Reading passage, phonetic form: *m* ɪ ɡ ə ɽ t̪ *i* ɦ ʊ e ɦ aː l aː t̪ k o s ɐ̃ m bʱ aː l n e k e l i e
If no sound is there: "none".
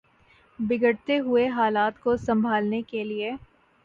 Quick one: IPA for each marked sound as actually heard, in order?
b, e

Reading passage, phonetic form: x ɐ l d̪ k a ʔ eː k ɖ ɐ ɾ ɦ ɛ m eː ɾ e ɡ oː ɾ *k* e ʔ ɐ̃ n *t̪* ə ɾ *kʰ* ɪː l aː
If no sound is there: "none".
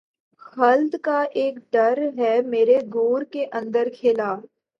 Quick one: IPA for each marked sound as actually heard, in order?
k, d̪, kʰ

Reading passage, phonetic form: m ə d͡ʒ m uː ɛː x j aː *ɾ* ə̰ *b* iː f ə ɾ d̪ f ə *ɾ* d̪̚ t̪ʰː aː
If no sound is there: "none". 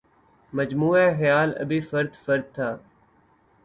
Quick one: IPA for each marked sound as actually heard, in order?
l, b, ɾ

